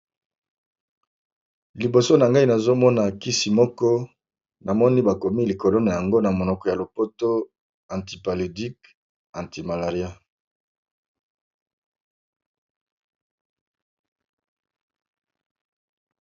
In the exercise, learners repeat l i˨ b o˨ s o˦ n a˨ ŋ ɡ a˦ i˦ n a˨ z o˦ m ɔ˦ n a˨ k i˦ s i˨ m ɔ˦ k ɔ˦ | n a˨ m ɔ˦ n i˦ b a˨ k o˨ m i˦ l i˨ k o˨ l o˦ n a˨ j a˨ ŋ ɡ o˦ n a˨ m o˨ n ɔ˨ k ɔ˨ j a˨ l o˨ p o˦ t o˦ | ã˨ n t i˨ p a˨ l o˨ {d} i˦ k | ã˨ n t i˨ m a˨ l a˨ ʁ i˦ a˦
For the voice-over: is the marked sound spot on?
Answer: yes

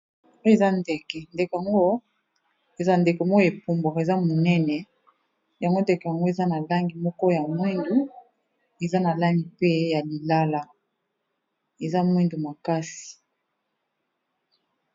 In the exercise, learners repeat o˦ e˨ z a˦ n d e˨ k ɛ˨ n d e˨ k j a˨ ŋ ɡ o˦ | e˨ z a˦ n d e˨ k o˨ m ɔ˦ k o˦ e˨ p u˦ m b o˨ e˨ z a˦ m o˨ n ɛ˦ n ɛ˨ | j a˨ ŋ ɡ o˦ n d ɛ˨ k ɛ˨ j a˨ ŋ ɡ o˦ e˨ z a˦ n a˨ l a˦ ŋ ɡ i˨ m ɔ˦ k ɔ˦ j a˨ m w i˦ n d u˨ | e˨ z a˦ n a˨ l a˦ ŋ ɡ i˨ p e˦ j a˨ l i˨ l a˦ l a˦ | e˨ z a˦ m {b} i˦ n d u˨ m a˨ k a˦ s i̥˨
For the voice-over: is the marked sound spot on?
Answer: no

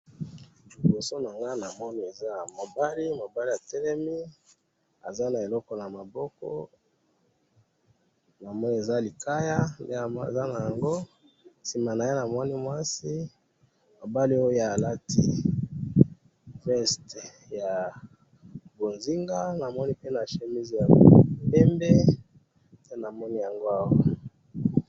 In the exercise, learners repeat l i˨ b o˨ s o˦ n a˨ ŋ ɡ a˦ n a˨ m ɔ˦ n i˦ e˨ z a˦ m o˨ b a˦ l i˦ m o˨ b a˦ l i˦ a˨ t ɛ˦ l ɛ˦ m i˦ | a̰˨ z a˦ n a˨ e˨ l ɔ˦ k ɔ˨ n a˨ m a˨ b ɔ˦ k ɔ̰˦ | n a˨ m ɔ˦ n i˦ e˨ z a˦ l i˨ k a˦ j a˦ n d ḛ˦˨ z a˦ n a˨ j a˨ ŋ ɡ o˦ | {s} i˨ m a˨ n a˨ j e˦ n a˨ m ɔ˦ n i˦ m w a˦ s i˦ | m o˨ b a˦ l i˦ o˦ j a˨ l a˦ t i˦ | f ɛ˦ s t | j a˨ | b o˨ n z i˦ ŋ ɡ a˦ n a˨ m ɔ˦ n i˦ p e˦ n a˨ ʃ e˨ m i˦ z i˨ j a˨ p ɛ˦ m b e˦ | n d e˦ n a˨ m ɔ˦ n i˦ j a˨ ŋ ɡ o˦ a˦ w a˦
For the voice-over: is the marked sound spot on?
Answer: yes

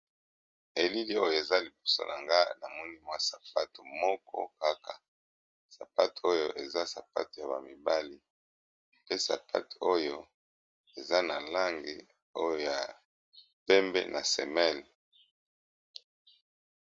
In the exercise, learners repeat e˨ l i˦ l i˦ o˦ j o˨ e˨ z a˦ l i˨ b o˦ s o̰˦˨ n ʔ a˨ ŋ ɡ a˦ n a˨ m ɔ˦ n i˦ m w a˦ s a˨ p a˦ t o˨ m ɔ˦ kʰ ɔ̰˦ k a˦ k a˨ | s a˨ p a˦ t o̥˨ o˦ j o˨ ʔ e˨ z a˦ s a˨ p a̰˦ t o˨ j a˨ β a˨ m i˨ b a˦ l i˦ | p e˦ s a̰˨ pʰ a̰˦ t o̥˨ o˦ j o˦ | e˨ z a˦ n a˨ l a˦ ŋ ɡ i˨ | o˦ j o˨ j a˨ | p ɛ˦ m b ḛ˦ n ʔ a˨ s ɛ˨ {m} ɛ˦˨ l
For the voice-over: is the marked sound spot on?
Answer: yes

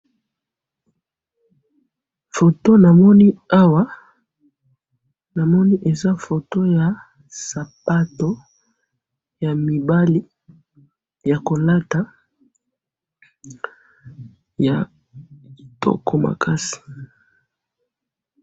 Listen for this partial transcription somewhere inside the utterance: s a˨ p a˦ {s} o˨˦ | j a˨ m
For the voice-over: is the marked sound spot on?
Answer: no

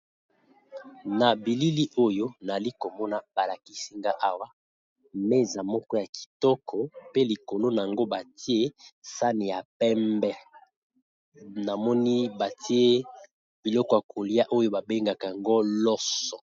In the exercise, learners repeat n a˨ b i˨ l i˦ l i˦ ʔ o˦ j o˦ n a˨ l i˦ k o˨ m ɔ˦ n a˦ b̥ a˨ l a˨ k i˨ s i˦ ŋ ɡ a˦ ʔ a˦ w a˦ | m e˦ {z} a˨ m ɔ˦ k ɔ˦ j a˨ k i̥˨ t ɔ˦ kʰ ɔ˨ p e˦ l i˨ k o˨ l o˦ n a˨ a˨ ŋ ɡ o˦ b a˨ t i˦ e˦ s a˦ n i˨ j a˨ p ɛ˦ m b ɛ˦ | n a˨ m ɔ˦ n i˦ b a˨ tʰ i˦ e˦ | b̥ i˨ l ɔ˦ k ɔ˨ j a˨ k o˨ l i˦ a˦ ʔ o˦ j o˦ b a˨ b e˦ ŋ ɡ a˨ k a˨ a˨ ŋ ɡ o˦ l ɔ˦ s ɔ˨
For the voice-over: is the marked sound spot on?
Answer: yes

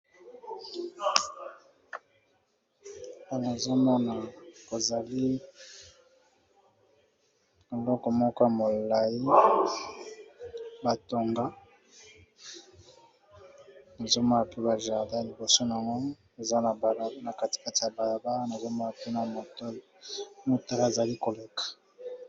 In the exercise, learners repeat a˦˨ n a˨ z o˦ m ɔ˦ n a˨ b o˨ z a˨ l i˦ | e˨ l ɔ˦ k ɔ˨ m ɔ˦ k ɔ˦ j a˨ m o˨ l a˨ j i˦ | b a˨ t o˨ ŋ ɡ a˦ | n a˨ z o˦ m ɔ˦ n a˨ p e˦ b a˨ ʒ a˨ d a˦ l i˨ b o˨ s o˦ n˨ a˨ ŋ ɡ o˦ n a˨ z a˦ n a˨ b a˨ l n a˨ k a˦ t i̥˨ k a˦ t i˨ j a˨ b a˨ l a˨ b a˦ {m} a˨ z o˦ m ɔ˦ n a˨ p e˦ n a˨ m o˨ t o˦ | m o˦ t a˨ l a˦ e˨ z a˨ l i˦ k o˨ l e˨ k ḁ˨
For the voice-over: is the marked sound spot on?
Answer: no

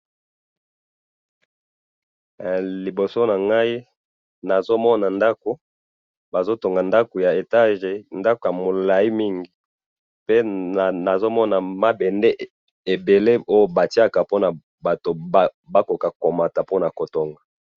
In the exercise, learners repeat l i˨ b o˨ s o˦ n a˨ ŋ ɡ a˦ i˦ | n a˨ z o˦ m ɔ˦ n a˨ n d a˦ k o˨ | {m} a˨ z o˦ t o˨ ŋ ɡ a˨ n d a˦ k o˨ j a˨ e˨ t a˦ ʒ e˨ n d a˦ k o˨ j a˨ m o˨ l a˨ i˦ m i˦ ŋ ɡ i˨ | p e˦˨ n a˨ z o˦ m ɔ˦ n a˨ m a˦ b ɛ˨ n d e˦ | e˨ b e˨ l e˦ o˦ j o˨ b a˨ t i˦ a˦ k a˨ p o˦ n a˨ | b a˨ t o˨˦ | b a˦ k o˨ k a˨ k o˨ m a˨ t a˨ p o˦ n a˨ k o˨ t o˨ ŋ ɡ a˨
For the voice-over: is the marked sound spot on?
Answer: no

